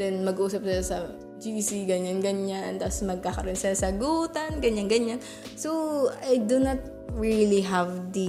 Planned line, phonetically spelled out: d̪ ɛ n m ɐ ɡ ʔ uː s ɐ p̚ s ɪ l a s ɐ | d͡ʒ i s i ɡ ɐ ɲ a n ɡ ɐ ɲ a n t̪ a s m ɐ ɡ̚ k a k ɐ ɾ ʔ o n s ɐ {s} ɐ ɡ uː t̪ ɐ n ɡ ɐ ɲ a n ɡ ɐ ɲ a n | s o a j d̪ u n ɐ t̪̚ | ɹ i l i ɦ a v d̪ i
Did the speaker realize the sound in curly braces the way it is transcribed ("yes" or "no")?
yes